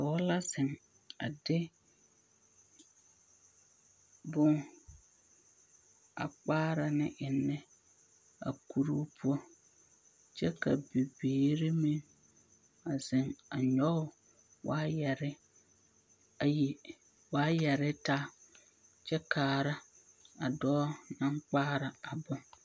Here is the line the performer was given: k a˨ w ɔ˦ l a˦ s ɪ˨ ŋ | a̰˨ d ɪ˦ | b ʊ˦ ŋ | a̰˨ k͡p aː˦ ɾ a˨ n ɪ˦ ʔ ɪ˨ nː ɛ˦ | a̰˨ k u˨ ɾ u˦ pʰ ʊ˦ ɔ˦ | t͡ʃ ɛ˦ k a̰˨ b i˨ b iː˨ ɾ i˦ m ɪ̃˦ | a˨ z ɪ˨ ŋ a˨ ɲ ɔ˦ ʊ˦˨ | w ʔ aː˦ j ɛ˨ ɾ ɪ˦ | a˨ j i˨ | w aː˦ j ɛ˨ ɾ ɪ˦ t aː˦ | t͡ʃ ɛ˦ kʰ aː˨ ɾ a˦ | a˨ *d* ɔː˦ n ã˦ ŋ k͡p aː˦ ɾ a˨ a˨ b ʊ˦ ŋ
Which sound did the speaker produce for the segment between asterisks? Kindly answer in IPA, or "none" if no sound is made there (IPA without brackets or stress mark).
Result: d